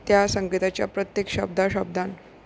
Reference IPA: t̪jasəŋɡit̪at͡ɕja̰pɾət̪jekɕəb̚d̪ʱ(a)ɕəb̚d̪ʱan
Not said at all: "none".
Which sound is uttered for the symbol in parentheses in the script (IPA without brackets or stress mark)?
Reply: a